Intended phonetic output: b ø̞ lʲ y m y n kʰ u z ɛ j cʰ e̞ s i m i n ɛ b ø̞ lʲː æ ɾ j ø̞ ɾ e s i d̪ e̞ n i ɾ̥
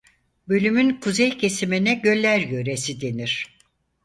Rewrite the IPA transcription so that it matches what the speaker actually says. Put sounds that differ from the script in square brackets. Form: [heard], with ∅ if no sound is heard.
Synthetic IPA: b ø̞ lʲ y m y n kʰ u z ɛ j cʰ e̞ s i m i n ɛ [ɟ] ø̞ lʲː æ ɾ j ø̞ ɾ e s i d̪ e̞ n i ɾ̥